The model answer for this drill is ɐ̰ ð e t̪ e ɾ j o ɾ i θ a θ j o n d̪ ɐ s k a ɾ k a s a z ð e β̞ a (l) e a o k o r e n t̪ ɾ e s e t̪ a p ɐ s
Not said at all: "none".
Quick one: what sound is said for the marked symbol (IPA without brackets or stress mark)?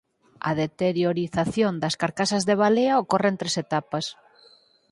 l